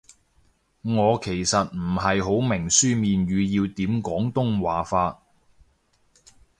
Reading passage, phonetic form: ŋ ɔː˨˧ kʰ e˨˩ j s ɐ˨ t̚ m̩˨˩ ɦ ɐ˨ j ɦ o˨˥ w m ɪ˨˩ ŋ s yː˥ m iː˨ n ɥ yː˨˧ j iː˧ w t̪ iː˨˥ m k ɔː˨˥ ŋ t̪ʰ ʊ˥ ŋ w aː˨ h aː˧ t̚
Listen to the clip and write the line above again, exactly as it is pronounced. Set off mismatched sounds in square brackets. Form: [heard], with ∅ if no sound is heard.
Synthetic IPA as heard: ŋ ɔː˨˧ kʰ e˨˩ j s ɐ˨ t̚ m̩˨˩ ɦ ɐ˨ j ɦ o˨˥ w m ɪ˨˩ ŋ s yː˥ m iː˨ n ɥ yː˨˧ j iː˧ w t̪ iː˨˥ m k ɔː˨˥ ŋ [t̪] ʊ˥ ŋ w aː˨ [f] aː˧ t̚